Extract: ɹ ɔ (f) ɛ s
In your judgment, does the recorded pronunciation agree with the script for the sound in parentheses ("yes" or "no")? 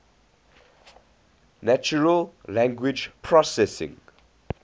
no